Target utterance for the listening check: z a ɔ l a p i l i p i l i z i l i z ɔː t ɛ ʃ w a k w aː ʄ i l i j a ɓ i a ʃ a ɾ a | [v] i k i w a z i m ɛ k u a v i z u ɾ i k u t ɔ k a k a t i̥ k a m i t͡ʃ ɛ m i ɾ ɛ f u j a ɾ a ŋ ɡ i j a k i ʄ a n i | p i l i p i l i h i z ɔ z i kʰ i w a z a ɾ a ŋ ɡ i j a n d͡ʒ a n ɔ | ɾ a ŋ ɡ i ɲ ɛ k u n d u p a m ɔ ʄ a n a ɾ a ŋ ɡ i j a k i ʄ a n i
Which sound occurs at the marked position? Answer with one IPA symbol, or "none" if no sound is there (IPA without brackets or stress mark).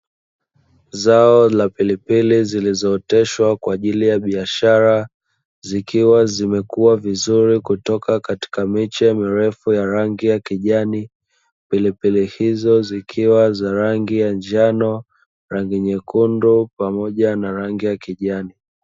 z